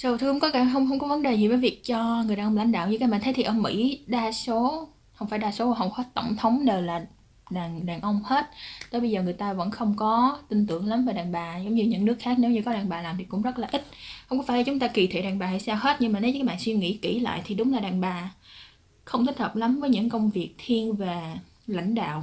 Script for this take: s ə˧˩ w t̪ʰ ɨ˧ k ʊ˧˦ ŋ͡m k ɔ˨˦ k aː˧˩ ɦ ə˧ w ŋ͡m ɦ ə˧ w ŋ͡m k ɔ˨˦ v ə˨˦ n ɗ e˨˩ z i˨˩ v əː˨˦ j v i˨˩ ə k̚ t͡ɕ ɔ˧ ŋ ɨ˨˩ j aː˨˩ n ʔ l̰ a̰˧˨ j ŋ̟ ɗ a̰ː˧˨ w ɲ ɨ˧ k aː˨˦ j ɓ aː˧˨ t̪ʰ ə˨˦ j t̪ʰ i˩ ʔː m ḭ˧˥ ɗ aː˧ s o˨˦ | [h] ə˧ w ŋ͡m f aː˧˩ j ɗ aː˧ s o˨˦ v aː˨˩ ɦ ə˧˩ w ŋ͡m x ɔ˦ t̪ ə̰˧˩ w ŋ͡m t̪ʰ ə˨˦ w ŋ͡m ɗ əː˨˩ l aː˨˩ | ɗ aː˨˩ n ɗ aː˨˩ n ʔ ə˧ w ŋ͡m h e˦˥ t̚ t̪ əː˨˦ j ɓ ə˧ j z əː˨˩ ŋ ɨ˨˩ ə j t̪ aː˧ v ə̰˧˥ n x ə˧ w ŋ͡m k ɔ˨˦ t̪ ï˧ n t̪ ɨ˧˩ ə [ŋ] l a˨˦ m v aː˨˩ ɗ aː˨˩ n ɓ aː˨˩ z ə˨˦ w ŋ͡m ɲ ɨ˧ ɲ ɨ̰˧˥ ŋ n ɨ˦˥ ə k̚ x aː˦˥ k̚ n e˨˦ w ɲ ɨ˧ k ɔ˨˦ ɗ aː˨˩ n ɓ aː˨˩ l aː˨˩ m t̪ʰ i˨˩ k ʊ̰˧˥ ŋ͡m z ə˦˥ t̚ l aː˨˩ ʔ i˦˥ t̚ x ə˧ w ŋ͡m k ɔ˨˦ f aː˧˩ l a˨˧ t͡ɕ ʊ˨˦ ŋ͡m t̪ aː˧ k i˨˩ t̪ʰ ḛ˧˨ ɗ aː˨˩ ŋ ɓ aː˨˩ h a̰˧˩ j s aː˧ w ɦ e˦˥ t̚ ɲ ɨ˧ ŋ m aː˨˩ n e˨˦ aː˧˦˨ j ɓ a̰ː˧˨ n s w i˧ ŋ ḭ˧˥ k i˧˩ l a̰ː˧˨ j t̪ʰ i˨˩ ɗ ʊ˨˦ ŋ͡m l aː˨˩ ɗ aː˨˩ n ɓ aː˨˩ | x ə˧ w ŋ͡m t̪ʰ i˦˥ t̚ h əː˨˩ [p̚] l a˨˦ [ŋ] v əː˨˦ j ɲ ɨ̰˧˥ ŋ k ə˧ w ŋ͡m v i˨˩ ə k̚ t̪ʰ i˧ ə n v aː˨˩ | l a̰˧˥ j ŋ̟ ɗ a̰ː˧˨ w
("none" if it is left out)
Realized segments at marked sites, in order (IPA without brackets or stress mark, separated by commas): h, ŋ, p̚, m